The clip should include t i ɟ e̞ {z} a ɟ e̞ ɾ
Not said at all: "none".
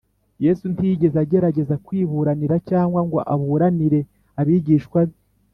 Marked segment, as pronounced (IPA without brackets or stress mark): z